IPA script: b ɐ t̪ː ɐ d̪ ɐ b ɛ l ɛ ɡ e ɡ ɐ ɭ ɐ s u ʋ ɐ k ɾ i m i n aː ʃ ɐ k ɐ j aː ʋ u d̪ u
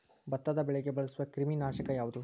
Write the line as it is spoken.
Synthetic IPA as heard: b ɐ t̪ː ɐ d̪ ɐ b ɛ ɭ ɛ ɡ e b ɐ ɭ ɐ s u ʋ ɐ k ɾ i m i n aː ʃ ɐ k ɐ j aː ʋ u d̪ u

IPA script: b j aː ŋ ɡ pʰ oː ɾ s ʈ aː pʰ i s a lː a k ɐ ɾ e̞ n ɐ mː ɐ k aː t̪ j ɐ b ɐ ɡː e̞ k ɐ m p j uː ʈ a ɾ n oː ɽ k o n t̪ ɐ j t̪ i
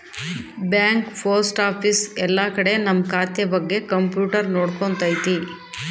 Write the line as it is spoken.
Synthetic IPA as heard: b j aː ŋ k pʰ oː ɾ s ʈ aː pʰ i s ɛ lː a k ɐ ɽ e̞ n ɐ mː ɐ k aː t̪ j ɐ b ɐ ɡː e̞ k ɐ m p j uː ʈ ɐ ɾ n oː ɽ k o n t̪ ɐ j t̪ i

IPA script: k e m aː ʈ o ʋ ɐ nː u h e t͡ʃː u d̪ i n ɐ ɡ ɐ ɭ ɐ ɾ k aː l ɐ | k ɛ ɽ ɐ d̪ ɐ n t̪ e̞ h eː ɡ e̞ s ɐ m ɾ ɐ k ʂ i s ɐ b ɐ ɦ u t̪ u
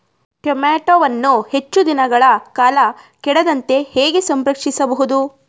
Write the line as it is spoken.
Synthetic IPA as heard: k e m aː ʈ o ʋ ɐ nː u h e t͡ʃː u d̪ i n ɐ ɡ ɐ ɭ ɐ k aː l ɐ | k ɛ ɽ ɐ d̪ ɐ n t̪ e̞ h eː ɡ e̞ s ɐ m ɾ ɐ k ʂ i s ɐ b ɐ ɦ u d̪ u

